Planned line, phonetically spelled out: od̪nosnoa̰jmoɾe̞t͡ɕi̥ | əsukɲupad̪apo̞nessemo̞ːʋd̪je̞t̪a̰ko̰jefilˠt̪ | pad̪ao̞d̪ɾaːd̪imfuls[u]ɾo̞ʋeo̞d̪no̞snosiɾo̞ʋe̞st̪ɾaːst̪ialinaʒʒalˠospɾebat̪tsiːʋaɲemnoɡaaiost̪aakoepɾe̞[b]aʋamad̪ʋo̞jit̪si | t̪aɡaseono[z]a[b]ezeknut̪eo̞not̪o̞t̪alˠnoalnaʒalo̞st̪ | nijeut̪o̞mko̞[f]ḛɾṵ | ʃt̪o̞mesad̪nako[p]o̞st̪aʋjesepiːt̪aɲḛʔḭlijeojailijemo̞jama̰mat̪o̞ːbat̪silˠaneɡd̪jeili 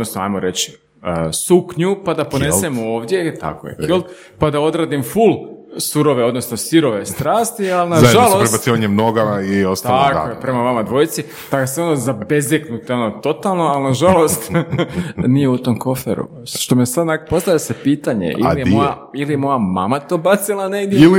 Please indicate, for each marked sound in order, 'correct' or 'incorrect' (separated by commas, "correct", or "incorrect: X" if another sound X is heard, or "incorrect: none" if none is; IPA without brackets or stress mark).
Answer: correct, incorrect: m, correct, correct, correct, correct